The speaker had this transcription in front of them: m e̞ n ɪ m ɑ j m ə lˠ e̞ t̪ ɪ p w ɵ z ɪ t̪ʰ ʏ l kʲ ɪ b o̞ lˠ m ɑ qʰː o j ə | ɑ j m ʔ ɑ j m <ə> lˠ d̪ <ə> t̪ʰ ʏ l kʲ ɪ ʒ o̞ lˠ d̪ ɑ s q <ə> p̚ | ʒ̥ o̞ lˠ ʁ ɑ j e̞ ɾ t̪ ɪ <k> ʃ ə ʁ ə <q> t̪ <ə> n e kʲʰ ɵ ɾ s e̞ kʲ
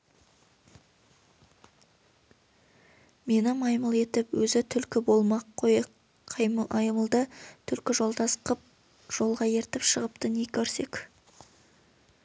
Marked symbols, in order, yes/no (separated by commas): yes, yes, yes, no, no, yes